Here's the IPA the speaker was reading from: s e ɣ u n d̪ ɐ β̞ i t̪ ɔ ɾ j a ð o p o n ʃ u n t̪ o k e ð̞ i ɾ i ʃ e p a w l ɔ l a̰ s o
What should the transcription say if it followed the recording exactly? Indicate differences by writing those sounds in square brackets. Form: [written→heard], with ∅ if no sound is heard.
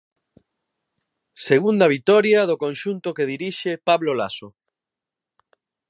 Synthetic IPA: s e ɣ u n d̪ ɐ β̞ i t̪ ɔ ɾ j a ð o [p→k] o n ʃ u n t̪ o k e ð̞ i ɾ i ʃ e p a [w→β] l [ɔ→o] l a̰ s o

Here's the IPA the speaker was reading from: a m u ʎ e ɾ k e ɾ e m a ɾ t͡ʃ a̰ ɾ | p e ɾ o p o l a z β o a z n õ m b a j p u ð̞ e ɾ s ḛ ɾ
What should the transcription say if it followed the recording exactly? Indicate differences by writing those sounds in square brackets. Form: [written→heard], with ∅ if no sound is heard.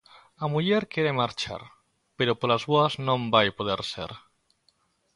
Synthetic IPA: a m u ʎ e ɾ k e ɾ e m a ɾ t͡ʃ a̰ ɾ | p e ɾ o p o l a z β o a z n õ m b a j p [u→o] ð̞ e ɾ s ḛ ɾ

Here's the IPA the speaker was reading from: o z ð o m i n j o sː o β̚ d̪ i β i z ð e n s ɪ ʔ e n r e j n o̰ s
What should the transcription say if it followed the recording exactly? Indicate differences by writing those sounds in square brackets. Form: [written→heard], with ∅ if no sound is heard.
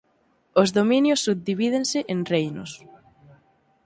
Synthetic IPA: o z ð o m i n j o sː [o→u] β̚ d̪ i β i [z→∅] ð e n s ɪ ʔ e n r e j n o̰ s

